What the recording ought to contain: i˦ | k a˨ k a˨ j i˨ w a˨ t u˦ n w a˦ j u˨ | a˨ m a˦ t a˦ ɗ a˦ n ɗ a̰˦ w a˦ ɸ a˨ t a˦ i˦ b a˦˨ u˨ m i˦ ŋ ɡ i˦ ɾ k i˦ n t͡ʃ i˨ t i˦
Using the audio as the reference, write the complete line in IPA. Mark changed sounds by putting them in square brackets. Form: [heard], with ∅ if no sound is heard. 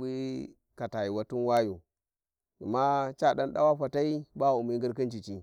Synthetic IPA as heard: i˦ | k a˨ [t] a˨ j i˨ w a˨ t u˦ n w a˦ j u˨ | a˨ m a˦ [t͡ʃ] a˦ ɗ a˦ n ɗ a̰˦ w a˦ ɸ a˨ t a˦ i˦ b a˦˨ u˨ m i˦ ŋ ɡ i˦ ɾ k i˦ n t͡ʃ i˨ [t͡ʃ] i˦